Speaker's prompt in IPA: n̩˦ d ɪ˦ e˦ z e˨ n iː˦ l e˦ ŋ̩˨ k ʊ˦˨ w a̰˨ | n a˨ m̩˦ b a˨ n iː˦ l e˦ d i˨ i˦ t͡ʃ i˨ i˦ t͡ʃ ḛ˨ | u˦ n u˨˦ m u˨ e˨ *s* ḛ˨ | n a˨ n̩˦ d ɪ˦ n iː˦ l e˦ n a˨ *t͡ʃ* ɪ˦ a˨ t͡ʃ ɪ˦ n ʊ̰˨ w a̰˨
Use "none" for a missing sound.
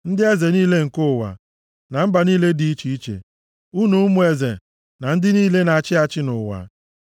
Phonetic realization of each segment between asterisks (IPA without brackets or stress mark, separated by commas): z, t͡ʃ